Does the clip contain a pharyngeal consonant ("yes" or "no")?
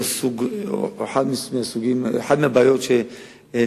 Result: yes